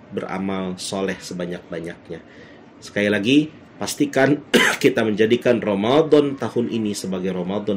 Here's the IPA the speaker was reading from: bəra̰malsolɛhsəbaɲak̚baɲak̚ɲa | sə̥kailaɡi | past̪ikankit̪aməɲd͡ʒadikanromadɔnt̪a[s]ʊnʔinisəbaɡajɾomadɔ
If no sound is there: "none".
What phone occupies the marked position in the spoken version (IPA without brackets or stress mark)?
h